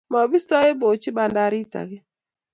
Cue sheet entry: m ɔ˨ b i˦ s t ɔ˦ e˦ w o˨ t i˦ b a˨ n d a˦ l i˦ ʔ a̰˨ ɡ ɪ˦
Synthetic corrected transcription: m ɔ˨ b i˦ s t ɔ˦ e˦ b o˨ t͡ʃ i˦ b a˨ n d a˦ ɾ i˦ t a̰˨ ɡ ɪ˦

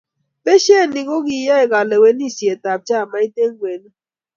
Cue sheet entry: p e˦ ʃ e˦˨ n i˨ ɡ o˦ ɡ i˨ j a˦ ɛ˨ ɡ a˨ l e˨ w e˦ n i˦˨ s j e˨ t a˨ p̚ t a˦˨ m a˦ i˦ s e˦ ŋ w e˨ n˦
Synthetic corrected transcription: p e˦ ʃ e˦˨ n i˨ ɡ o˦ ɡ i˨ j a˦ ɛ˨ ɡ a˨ l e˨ w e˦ n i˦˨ s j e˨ t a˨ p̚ t͡ʃ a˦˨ m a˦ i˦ t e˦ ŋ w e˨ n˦

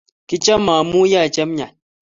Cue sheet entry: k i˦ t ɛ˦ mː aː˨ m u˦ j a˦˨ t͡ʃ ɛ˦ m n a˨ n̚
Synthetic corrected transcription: k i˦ t͡ʃ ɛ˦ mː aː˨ m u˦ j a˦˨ t͡ʃ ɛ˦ m ɲ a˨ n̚

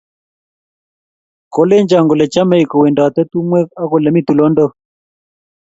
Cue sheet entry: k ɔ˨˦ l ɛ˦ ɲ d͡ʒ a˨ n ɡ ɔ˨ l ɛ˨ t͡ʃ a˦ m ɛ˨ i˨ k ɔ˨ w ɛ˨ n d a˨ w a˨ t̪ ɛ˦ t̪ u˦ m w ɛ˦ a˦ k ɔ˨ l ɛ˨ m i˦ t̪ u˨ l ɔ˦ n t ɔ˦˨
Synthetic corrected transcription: k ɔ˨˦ l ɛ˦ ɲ d͡ʒ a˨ ŋ ɡ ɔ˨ l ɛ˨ t͡ʃ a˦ m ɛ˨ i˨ k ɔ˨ w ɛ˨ n d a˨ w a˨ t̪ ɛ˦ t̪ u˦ m w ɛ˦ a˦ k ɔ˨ l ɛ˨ m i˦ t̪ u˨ l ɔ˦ n d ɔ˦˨

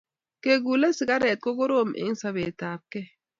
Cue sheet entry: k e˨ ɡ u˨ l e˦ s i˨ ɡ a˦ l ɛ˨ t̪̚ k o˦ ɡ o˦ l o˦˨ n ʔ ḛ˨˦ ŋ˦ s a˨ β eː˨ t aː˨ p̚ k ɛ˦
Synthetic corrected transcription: k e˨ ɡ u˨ l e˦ s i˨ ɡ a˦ ɾ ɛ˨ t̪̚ k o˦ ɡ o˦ ɾ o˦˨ m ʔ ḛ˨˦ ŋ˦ s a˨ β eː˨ t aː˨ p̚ k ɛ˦

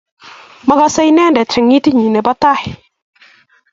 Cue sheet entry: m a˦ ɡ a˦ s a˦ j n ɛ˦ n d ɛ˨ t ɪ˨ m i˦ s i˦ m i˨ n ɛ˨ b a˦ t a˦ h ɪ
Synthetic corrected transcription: m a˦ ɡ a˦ s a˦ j n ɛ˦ n d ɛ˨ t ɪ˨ ŋ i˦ t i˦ ɲ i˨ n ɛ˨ b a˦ t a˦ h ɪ

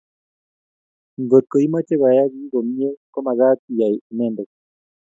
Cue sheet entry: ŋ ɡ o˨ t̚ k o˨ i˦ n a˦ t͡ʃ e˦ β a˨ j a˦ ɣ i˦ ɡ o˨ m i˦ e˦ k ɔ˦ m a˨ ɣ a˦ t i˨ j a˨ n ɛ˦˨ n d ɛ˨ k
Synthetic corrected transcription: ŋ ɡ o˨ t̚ k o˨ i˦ m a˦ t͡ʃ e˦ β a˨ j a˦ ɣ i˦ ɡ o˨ m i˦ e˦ k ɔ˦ m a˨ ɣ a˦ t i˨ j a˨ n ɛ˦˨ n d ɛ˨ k

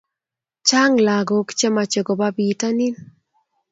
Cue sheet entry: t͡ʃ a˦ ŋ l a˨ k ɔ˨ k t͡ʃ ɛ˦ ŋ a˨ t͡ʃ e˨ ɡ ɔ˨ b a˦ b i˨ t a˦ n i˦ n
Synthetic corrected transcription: t͡ʃ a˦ ŋ l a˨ ɡ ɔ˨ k t͡ʃ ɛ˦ m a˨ t͡ʃ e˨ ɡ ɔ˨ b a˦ b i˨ t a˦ n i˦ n

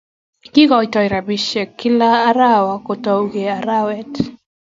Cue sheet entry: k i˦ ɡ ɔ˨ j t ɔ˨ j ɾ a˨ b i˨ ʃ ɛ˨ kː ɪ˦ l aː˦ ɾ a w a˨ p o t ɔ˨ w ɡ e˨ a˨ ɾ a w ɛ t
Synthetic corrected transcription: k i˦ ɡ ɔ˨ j t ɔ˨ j ɾ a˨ b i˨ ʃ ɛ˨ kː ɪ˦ l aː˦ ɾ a w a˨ k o t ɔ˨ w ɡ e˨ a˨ ɾ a w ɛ t

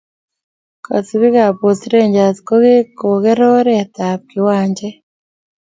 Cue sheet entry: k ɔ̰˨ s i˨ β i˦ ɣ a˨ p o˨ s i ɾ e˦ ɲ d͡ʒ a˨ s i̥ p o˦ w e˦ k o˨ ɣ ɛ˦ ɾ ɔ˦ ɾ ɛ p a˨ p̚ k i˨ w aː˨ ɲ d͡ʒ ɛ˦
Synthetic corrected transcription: k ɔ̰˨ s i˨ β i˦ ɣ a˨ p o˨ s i ɾ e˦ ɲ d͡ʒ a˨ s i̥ k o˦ ɣ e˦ k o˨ ɣ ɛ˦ ɾ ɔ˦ ɾ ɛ t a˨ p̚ k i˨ w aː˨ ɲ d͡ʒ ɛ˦

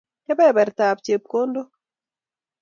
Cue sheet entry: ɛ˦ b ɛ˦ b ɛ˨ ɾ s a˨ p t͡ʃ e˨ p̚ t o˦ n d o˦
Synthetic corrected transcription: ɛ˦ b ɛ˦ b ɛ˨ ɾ t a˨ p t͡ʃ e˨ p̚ k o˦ n d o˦

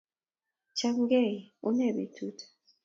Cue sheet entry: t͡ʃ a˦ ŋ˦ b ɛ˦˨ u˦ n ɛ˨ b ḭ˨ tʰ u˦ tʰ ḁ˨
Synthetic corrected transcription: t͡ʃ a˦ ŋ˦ ɡ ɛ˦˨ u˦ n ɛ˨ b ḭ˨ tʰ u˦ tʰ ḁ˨

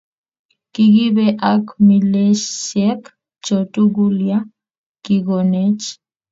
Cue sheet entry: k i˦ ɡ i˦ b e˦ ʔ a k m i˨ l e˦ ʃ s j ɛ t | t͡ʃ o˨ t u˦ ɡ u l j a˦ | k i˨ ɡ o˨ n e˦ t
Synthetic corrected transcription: k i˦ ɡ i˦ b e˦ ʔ a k m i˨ l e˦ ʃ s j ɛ k | t͡ʃ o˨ t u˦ ɡ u l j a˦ | k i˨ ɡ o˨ n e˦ t͡ʃ

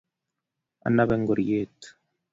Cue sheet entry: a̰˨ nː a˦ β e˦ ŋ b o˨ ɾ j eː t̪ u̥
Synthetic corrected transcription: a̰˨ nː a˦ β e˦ ŋ ɡ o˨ ɾ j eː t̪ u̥

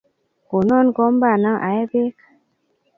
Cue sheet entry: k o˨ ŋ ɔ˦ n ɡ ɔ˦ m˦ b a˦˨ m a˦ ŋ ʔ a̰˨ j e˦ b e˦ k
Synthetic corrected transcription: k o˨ n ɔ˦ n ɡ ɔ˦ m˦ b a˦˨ n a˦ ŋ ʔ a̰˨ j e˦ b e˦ k

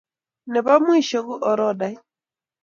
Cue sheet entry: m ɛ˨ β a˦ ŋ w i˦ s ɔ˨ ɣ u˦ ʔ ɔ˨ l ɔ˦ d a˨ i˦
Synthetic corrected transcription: n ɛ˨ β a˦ m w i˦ ʃ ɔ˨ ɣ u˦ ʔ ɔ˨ ɾ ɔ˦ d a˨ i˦

